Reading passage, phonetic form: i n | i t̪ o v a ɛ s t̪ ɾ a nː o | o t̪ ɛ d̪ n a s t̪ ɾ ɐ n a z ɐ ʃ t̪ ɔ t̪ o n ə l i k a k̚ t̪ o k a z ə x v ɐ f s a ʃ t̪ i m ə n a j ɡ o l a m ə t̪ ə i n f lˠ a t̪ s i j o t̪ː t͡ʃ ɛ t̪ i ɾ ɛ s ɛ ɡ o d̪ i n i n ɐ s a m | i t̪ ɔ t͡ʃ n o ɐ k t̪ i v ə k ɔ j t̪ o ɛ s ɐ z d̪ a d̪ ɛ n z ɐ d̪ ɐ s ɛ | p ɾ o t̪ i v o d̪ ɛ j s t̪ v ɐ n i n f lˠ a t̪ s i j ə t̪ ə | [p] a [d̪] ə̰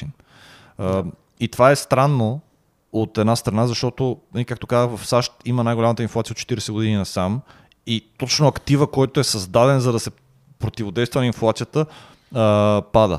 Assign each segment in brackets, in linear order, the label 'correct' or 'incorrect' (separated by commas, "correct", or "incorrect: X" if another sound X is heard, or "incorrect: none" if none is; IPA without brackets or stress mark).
correct, correct